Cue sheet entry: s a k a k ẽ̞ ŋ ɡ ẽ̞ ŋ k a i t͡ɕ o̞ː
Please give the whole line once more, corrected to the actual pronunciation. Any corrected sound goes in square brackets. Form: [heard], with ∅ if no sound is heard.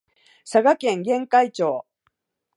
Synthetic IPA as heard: s a [ɡ] a k ẽ̞ ŋ ɡ ẽ̞ ŋ k a i t͡ɕ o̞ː